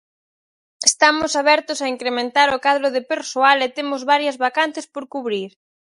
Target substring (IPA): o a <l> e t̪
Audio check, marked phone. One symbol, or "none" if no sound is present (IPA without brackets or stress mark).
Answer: l